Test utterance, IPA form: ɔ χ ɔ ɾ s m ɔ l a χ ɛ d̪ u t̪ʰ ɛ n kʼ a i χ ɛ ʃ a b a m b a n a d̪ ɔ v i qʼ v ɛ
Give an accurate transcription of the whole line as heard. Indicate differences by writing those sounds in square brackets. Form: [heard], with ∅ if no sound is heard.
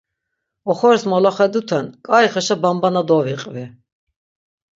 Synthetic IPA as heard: ɔ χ ɔ ɾ s m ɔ l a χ ɛ d̪ u t̪ʰ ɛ n kʼ a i χ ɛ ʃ a b a m b a n a d̪ ɔ v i qʼ v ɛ

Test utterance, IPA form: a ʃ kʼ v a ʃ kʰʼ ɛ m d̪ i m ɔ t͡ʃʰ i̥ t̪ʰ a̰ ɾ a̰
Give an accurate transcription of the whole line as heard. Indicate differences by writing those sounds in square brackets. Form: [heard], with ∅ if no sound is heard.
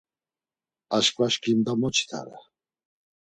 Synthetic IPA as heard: a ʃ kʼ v a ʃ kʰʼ [i] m d̪ [a] m ɔ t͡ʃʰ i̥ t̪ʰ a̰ ɾ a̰

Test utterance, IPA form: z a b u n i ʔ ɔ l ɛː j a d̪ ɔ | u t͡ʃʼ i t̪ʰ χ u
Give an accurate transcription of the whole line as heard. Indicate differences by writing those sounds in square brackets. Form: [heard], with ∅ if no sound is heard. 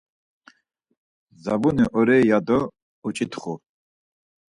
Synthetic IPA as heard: z a b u n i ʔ ɔ [ɾ] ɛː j a d̪ ɔ | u t͡ʃʼ i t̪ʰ χ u

